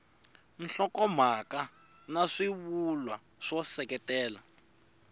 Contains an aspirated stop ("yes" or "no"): no